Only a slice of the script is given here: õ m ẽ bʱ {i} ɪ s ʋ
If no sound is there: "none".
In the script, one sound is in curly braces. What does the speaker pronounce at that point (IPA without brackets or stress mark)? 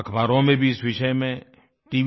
i